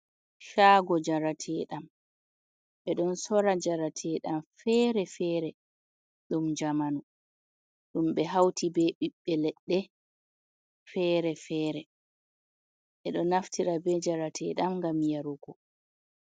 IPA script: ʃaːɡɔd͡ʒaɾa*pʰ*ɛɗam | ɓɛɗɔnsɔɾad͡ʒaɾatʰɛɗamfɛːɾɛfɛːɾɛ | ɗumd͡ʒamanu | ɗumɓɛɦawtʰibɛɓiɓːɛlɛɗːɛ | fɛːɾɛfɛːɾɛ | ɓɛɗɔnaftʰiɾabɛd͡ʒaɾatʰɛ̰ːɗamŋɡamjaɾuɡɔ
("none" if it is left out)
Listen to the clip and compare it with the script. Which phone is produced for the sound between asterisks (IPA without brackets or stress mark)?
tʰ